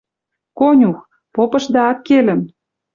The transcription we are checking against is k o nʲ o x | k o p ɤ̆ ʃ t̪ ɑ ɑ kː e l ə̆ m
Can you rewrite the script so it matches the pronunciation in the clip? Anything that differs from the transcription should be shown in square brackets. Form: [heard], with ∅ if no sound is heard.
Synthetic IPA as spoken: k o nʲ [u] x | [p] o p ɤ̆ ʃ [d̪] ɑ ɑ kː e l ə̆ m